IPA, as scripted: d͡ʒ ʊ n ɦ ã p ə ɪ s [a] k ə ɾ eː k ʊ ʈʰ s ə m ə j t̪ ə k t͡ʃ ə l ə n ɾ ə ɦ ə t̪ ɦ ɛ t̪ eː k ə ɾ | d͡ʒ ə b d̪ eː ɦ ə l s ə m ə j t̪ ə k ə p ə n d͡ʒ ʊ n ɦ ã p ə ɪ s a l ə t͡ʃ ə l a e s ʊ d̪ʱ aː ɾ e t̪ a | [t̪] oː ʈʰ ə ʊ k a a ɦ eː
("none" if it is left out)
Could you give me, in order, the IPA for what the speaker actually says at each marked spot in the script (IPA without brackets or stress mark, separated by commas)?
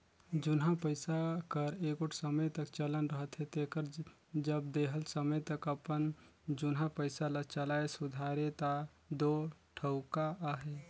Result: a, d̪